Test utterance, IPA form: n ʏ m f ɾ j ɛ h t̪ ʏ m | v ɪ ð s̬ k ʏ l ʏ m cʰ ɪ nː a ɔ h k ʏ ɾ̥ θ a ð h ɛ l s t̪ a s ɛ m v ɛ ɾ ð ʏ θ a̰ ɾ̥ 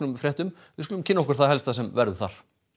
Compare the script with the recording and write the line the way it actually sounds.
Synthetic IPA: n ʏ m f ɾ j ɛ h t̪ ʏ m | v ɪ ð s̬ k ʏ l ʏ m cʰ ɪ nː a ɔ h k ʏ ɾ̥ θ a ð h ɛ l s t̪ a s ɛ m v ɛ ɾ ð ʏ θ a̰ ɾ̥